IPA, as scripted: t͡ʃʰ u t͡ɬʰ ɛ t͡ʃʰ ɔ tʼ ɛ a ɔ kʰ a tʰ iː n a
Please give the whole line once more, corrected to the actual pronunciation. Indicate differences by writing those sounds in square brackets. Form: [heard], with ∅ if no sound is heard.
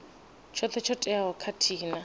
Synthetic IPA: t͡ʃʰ [ɔ] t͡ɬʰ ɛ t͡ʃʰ ɔ tʼ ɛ a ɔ kʰ a tʰ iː n a